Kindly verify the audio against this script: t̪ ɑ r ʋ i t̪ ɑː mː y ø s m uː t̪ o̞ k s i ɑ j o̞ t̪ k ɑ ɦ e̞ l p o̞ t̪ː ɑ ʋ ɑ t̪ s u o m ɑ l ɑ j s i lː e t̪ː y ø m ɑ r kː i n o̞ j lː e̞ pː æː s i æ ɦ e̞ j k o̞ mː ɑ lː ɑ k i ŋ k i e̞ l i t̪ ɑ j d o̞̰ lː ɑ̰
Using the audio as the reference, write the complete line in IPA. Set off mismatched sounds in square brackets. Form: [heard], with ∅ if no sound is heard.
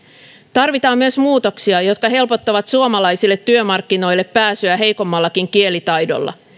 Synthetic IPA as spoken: t̪ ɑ r ʋ i t̪ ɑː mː y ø s m uː t̪ o̞ k s i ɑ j o̞ t̪ k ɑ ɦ e̞ l p o̞ t̪ː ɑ ʋ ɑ t̪ s u o m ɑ l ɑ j s i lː e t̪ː y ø m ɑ r kː i n o̞ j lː e̞ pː æː s [y] æ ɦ e̞ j k o̞ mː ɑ lː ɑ k i ŋ k i e̞ l i t̪ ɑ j d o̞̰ lː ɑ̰